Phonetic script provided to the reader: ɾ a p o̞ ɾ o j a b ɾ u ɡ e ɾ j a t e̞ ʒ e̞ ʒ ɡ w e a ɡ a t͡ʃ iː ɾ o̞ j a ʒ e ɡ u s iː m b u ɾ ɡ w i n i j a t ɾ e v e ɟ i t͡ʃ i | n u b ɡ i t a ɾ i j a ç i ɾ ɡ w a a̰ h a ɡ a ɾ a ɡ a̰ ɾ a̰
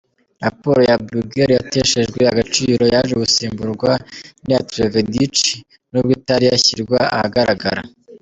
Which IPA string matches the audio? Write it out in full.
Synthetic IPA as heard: ɾ a p o̞ ɾ o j a b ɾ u ɡ e ɾ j a t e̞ ʃ e̞ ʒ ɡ w e a ɡ a t͡ʃ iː ɾ o̞ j a ʒ e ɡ u s iː m b u ɾ ɡ w a n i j a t ɾ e v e d i t͡ʃ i | n u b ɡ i t a ɾ i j a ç i ɾ ɡ w a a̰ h a ɡ a ɾ a ɡ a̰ ɾ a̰